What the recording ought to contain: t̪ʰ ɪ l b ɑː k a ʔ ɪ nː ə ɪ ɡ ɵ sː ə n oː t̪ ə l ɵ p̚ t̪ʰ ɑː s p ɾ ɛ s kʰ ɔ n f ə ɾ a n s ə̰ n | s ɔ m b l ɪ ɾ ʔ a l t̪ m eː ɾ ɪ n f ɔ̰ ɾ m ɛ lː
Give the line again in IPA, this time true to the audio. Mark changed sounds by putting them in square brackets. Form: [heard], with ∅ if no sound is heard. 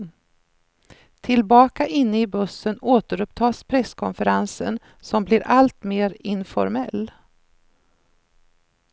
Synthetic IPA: t̪ʰ ɪ l b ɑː k a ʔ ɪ nː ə ɪ [b] ɵ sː ə n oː t̪ ə [ɾ] ɵ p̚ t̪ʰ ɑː s [pʰ] ɾ ɛ s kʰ ɔ n f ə ɾ a n s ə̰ n | s ɔ m b l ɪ ɾ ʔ a l t̪ m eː ɾ ɪ n f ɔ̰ ɾ m ɛ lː